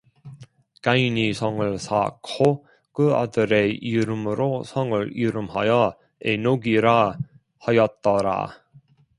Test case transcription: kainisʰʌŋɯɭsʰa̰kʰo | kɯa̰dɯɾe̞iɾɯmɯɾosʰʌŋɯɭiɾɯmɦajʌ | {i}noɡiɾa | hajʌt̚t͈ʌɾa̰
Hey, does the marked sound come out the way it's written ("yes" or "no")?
no